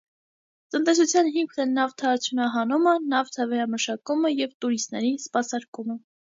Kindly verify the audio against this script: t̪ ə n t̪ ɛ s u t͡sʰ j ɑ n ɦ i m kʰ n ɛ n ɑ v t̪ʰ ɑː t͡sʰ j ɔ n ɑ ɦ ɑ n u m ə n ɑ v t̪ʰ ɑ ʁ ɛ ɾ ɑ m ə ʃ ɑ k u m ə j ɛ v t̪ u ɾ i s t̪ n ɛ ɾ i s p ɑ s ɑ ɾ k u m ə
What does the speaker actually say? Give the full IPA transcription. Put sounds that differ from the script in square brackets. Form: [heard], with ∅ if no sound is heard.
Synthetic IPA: t̪ ə n t̪ ɛ s u t͡sʰ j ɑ n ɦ i m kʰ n ɛ n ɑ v t̪ʰ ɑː t͡sʰ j [u] n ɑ ɦ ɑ n u m ə n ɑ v t̪ʰ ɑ [v] ɛ ɾ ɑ m ə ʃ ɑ k u m ə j ɛ v t̪ u ɾ i s t̪ n ɛ ɾ i s p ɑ s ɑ ɾ k u m ə

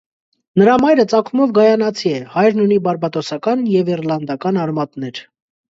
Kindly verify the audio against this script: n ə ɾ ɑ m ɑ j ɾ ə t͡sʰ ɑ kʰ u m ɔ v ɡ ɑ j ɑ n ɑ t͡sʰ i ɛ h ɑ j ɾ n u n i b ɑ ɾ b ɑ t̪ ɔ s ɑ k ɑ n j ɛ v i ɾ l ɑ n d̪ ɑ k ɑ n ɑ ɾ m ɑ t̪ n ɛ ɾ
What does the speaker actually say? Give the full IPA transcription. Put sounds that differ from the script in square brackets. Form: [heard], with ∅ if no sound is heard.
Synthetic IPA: n ə ɾ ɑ m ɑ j ɾ ə [t͡s] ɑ kʰ u m ɔ v ɡ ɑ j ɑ n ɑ t͡sʰ i ɛ h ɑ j ɾ n u n i b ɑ ɾ b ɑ t̪ ɔ s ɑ k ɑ n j ɛ v i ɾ l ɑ n d̪ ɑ k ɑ n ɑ ɾ m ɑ t̪ n ɛ ɾ

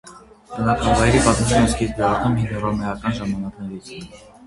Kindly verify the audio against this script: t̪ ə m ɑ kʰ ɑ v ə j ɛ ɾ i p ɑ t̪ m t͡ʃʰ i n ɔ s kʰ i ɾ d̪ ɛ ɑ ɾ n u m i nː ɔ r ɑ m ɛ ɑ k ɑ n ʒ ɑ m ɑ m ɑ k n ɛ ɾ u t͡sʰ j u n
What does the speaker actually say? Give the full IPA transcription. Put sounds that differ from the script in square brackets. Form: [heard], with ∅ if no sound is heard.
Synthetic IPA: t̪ ə [n] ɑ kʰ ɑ v [ɑ] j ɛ ɾ i p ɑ t̪ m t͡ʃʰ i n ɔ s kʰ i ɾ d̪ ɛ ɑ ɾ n u m i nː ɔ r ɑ m ɛ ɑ k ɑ n ʒ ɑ m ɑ [n] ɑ k n ɛ ɾ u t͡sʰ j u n

